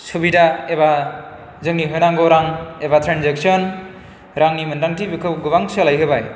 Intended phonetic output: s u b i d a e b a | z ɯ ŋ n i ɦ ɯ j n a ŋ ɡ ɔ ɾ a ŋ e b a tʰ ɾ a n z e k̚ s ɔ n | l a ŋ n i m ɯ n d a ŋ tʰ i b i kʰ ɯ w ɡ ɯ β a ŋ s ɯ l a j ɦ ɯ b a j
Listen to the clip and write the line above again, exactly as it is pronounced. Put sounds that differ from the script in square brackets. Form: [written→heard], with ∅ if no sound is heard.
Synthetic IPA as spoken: s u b i d a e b a | z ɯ ŋ n i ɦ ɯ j n a ŋ ɡ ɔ ɾ a ŋ e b a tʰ ɾ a n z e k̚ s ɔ n | [l→ɾ] a ŋ n i m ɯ n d a ŋ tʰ i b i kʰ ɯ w ɡ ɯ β a ŋ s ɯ l a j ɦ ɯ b a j